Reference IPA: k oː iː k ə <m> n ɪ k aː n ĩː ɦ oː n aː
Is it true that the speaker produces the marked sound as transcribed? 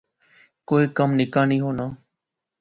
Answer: yes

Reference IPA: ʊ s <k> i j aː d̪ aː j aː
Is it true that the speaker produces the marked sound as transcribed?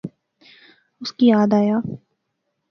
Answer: yes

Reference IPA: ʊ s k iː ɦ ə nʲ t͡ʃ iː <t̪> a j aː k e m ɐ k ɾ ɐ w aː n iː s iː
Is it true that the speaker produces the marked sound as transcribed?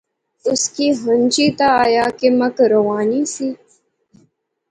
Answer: yes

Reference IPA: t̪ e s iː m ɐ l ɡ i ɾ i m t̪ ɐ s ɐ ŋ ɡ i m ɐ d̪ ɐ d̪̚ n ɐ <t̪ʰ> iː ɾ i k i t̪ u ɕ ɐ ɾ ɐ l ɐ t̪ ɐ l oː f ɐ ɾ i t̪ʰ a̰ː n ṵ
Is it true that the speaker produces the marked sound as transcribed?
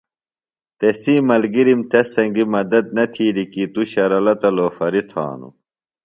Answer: yes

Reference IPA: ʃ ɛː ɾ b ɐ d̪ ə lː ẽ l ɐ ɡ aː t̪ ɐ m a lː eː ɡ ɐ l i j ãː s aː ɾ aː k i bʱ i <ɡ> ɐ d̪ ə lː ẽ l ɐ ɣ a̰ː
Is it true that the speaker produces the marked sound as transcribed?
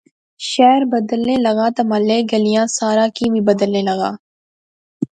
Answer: no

